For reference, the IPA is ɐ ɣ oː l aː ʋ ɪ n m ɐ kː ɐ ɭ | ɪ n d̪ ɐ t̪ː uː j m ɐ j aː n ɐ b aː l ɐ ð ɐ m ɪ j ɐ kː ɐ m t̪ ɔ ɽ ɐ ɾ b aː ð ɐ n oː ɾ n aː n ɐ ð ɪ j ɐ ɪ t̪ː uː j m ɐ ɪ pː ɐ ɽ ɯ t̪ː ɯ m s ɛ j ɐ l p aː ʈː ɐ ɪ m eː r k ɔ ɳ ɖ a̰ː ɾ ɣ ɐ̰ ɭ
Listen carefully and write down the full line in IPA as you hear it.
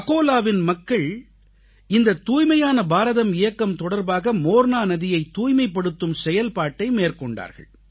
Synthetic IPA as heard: ɐ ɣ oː l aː ʋ ɪ n m ɐ kː ɐ ɭ | ɪ n d̪ ɐ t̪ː uː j m ɐ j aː n ɐ b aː ɾ ɐ ð ɐ m ɪ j ɐ kː ɐ m t̪ ɔ ɽ ɐ ɾ b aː ɣ ɐ m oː ɾ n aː n ɐ ð ɪ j ɐ ɪ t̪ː uː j m ɐ ɪ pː ɐ ɽ ɯ t̪ː ɯ m s ɛ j ɐ l p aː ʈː ɐ ɪ m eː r k ɔ ɳ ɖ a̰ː ɾ ɣ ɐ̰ ɭ